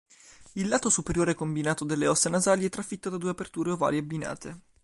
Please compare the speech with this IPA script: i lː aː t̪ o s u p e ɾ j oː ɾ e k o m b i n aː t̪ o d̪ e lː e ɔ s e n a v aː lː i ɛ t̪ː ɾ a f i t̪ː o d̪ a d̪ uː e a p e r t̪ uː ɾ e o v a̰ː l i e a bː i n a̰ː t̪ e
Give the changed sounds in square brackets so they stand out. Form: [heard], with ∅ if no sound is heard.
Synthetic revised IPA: i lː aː t̪ o s u p e ɾ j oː ɾ e k o m b i n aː t̪ o d̪ e lː e ɔ s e n a [z] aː [l] i ɛ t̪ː ɾ a f i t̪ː o d̪ a d̪ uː e a p e r t̪ uː ɾ e o v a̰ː l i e a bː i n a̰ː t̪ e